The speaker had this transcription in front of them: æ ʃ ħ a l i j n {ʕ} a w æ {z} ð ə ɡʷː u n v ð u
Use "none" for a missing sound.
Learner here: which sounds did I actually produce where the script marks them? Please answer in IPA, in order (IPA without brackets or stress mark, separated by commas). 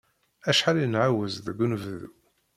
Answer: ʕ, z